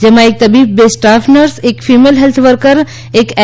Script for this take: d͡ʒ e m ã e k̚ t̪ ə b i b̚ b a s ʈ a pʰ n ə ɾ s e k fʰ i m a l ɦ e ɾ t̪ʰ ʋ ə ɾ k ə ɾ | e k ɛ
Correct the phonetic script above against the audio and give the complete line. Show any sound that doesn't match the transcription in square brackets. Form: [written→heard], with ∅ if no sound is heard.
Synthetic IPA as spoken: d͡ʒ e m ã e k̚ t̪ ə b i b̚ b [a→e] s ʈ a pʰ n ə ɾ s e k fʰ i m [a→e] l ɦ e [ɾ→l] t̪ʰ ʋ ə ɾ k ə ɾ | e k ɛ